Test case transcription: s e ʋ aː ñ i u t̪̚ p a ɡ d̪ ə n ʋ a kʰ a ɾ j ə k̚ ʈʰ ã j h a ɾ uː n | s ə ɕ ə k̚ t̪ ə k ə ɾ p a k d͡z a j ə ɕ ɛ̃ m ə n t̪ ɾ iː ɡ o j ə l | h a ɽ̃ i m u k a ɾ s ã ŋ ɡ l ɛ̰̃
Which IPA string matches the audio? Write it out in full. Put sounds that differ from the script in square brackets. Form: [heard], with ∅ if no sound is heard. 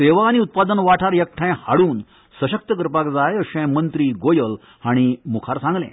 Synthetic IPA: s e ʋ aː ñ i u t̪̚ p a [∅] d̪ ə n ʋ a [ʈʰ] a ɾ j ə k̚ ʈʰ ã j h a [ɽ] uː n | s ə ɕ ə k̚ t̪ ə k ə ɾ p a k d͡z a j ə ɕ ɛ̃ m ə n t̪ ɾ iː ɡ o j ə l | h a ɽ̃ i m u [kʰ] a ɾ s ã ŋ ɡ l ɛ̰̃